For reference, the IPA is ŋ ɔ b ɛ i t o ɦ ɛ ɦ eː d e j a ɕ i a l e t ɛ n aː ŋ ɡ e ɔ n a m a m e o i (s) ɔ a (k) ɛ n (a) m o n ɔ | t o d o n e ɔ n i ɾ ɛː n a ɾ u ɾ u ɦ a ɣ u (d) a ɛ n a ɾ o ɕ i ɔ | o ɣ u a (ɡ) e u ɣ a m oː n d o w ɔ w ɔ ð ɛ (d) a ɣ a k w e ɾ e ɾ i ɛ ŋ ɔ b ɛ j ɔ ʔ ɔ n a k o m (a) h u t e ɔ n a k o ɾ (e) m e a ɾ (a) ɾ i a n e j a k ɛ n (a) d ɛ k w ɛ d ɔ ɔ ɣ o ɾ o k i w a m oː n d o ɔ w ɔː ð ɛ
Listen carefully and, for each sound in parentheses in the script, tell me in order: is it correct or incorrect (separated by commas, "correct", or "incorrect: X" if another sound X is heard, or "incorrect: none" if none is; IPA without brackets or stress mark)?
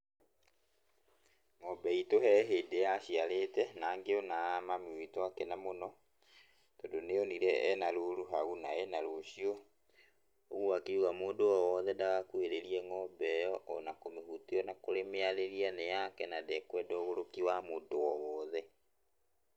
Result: incorrect: t, correct, correct, incorrect: n, incorrect: k, correct, incorrect: e, correct, incorrect: e, correct